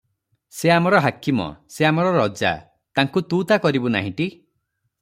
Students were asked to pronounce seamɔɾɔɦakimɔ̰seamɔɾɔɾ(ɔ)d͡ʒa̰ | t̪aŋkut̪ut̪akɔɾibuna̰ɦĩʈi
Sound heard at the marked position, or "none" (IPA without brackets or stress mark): ɔ